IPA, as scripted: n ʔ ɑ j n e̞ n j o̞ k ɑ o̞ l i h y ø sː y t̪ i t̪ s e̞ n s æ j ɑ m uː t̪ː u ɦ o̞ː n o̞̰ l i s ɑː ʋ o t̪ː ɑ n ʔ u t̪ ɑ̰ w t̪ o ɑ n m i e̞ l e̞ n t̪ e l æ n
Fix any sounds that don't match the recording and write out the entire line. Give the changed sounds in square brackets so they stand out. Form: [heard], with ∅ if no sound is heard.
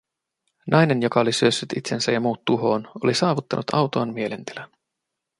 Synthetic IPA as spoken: n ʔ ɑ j n e̞ n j o̞ k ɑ o̞ l i [s] y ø sː y t̪ i t̪ s e̞ n s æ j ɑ m uː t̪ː u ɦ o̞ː n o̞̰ l i s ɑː ʋ [u] t̪ː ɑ n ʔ u t̪ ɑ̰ w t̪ o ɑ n m i e̞ l e̞ n t̪ e l æ n